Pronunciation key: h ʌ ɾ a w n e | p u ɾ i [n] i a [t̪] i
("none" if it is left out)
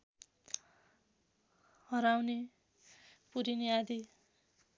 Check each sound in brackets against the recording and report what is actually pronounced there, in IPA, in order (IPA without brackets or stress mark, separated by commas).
n, d̪